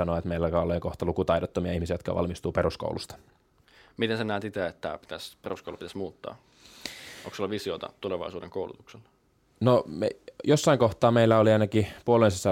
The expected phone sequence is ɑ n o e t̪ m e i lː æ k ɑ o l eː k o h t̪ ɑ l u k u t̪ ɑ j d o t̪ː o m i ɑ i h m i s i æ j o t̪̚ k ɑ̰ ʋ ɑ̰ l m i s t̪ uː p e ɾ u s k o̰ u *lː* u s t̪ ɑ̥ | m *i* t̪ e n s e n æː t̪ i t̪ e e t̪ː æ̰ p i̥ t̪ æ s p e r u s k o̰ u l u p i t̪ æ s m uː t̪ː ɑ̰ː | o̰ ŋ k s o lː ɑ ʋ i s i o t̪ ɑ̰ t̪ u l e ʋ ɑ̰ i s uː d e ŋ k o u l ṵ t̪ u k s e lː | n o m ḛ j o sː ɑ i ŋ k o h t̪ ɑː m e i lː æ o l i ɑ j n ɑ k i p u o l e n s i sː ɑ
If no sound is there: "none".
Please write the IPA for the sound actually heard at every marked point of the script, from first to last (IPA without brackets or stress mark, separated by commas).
l, i